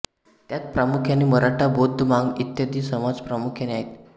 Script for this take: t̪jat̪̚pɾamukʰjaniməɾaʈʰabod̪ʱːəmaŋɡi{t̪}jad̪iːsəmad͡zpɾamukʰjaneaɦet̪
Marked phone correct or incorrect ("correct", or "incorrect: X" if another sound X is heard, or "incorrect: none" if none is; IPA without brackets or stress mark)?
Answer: correct